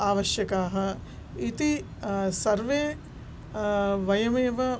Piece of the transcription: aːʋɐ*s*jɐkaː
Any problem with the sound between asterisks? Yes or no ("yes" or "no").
yes